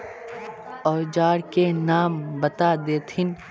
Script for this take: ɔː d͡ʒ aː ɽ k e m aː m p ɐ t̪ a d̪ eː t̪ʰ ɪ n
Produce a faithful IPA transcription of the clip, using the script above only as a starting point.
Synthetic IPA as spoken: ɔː d͡ʒ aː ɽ k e n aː m b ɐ t̪ a d̪ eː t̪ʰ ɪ n